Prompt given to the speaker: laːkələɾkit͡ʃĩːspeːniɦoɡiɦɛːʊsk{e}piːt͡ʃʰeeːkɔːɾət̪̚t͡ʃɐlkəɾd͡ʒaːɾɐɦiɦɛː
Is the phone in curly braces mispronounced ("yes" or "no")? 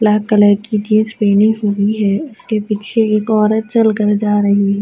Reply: no